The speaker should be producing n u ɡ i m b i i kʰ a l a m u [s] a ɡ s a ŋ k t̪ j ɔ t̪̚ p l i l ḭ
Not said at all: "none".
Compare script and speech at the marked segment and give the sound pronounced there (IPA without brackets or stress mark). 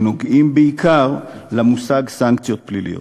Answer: s